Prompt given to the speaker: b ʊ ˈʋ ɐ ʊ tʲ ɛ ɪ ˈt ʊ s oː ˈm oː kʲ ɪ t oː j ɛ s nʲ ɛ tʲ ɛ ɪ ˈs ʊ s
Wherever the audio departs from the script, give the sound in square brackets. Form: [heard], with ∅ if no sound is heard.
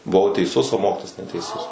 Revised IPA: b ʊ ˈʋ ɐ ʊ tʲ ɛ ɪ [ˈs] ʊ s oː ˈm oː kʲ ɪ t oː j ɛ s nʲ ɛ tʲ ɛ ɪ ˈs ʊ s